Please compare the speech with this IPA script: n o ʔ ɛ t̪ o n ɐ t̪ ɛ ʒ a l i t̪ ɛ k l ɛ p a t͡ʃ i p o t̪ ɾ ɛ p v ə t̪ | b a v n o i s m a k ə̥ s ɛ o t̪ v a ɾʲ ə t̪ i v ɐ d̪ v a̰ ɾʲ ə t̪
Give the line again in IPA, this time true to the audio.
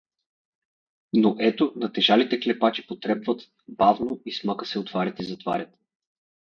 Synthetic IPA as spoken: n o ʔ ɛ t̪ o n ɐ t̪ ɛ ʒ a l i t̪ ɛ k l ɛ p a t͡ʃ i p o t̪ ɾ ɛ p v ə t̪ | b a v n o i s m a k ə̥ s ɛ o t̪ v a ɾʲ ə t̪ i z ɐ t̪ v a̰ ɾʲ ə t̪